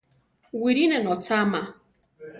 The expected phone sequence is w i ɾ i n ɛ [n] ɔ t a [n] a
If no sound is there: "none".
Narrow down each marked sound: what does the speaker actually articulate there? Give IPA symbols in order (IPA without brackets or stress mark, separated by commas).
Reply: n, m